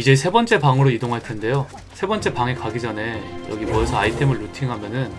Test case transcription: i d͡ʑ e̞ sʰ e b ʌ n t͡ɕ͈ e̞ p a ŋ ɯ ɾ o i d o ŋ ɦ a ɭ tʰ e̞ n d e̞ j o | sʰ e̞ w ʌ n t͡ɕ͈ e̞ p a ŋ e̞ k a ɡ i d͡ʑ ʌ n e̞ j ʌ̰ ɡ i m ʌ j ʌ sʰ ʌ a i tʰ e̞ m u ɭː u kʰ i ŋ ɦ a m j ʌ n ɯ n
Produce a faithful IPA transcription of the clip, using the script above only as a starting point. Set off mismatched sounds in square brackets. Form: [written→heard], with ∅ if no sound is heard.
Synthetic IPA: i d͡ʑ e̞ sʰ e b ʌ n t͡ɕ͈ e̞ p a ŋ ɯ ɾ o i d o ŋ ɦ a ɭ tʰ e̞ n d e̞ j o | sʰ e̞ [w→b] ʌ n t͡ɕ͈ e̞ p a ŋ e̞ k a ɡ i d͡ʑ ʌ n e̞ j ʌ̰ ɡ i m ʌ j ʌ sʰ ʌ a i tʰ e̞ m [u→ɯ] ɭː u [kʰ→tʰ] i ŋ ɦ a m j ʌ n ɯ n